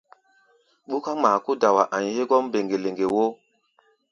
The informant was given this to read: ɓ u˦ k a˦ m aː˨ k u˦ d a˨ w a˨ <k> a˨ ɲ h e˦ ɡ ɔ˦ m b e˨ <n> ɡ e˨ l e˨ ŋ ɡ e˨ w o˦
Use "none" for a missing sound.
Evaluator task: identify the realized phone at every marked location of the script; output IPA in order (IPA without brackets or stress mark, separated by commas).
ʔ, ŋ